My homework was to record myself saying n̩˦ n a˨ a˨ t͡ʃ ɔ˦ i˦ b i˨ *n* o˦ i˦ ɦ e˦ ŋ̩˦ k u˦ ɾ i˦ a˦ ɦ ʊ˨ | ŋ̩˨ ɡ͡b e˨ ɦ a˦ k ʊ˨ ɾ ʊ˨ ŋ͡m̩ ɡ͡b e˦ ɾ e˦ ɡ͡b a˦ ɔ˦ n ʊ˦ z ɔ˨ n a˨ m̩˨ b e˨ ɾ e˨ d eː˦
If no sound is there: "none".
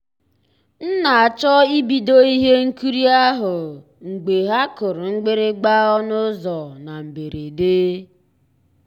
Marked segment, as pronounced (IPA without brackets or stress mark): d